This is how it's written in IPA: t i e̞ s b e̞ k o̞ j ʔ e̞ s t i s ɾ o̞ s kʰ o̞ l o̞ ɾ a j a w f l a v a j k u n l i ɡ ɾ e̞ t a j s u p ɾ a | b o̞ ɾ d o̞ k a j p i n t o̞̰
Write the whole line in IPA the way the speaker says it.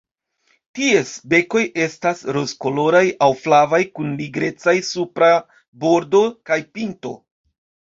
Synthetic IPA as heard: t i e̞ s b e̞ k o̞ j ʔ e̞ s t a s ɾ o̞ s k o̞ l o̞ ɾ a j a w f l a v a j k u n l i ɡ ɾ e̞ t͡s a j s u p ɾ a | b o̞ ɾ d o̞ k a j p i n t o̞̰